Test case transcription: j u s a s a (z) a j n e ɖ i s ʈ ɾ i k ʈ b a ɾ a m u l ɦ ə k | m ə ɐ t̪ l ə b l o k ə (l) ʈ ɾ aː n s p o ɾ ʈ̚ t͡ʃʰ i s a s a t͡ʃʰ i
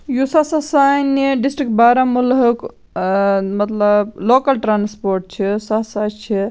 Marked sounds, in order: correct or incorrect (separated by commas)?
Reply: incorrect, correct